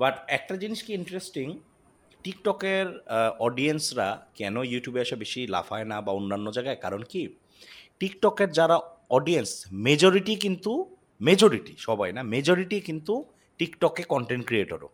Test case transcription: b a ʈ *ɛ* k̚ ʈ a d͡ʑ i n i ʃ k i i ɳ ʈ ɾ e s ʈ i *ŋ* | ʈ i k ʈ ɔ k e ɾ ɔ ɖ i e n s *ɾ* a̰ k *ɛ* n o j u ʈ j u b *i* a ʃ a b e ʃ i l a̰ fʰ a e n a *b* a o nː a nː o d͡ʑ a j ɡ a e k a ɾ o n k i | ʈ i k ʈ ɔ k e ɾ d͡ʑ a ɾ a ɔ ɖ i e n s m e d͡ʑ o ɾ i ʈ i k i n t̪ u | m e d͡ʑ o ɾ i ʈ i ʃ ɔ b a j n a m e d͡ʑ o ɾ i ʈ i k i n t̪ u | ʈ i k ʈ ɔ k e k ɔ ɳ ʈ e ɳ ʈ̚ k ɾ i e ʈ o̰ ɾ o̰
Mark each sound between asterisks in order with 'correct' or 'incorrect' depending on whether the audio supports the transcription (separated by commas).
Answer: correct, correct, correct, correct, incorrect, correct